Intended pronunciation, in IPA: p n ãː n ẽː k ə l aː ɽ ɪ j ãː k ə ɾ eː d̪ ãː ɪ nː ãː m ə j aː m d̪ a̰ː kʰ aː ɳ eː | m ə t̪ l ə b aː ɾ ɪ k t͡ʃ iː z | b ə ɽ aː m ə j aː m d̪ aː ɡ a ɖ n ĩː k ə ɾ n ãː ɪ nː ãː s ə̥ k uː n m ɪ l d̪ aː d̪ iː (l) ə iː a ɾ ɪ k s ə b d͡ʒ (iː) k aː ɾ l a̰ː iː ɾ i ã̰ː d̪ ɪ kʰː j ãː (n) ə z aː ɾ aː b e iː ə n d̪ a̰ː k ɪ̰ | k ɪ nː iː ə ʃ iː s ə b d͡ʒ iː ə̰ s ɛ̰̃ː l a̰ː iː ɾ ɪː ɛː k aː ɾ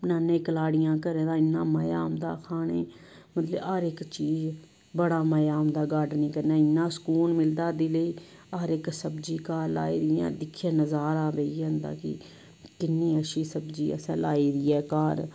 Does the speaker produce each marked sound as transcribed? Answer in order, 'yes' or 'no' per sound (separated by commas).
yes, yes, yes